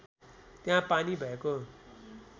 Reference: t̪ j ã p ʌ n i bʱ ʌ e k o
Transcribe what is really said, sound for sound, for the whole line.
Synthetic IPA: t̪ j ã p a n i bʱ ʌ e k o